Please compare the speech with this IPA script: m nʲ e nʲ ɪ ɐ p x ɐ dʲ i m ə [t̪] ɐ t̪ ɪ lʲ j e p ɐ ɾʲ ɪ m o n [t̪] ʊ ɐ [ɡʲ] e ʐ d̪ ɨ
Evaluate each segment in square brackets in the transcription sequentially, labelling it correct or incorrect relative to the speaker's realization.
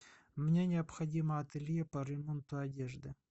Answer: incorrect: none, correct, incorrect: dʲ

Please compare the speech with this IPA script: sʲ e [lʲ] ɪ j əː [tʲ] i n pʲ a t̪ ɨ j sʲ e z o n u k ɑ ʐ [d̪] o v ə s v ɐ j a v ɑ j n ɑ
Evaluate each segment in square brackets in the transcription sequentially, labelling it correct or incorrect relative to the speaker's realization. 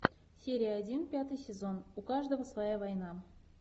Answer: incorrect: ɾʲ, incorrect: dʲ, correct

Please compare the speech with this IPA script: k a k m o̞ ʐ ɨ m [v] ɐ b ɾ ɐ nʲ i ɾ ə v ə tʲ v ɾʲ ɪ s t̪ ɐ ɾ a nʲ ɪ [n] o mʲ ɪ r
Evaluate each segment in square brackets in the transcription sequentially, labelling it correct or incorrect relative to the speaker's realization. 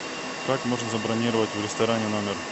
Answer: incorrect: z, correct

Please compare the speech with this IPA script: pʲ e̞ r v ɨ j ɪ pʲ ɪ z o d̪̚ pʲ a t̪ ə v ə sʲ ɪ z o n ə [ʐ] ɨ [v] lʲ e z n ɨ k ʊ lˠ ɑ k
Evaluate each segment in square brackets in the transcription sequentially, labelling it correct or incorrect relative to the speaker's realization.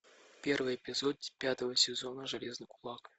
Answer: correct, incorrect: none

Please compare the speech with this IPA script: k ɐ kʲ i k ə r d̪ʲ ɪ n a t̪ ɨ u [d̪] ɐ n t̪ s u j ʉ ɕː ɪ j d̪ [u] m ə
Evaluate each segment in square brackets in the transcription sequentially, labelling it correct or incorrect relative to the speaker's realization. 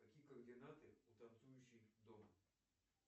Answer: incorrect: t̪, incorrect: o

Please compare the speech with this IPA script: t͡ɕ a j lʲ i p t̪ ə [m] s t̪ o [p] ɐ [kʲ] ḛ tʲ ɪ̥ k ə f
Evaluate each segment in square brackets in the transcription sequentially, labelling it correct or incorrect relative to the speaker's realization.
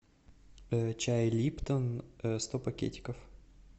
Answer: incorrect: n, correct, correct

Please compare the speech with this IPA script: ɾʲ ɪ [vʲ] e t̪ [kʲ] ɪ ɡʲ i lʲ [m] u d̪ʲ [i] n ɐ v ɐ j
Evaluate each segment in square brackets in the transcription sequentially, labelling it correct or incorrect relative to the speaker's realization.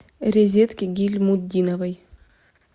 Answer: incorrect: zʲ, correct, correct, correct

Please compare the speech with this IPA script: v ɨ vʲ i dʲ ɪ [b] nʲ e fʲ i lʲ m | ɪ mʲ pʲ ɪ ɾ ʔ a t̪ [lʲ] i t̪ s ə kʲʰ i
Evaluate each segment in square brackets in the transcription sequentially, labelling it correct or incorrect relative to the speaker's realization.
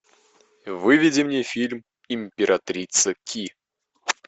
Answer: incorrect: m, incorrect: ɾʲ

